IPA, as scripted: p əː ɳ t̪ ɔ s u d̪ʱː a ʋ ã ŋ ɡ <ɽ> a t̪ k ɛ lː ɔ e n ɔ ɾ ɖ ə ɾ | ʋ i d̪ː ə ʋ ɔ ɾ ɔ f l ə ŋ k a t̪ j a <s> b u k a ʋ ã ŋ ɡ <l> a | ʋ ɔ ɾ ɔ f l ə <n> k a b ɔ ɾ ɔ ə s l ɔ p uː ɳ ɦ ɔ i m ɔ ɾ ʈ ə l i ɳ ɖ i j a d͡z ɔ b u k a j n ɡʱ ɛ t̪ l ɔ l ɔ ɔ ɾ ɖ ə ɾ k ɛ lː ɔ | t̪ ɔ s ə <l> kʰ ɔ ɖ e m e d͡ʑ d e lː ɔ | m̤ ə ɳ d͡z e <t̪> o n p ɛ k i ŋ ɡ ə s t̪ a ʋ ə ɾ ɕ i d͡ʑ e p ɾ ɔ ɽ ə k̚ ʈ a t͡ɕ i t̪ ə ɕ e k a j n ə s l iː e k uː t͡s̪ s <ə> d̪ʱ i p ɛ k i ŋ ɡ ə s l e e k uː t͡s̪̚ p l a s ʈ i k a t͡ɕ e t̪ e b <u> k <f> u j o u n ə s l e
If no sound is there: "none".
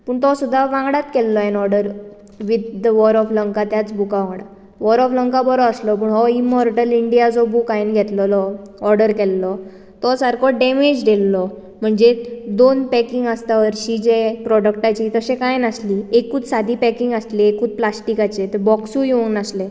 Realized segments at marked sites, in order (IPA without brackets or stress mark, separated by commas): ɽ, t͡s, ɽ, ŋ, ɾ, d̪, a, ɔ, s